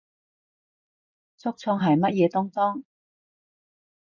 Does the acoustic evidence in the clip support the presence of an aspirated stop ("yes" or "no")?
yes